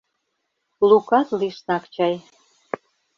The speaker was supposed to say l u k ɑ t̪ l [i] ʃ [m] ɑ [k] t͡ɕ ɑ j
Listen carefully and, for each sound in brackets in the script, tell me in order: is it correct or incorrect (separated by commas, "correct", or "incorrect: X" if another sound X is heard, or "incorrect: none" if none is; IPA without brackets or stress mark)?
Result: correct, incorrect: n, correct